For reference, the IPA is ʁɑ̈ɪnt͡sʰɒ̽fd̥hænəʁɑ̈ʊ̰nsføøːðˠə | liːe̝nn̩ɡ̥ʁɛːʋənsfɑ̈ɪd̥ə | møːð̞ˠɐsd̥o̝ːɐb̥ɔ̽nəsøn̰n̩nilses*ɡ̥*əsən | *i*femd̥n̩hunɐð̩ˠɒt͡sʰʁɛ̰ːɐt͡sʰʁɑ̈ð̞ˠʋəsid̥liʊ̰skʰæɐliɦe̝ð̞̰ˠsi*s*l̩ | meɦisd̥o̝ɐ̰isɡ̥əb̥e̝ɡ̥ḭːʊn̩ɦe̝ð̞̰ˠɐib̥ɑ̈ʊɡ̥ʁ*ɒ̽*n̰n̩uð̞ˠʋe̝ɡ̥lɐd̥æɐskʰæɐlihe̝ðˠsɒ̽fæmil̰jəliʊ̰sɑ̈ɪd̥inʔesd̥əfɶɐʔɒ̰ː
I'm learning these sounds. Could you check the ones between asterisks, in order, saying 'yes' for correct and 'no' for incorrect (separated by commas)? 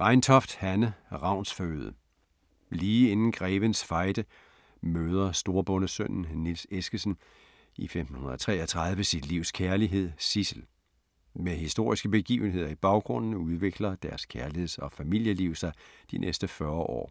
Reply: yes, yes, yes, no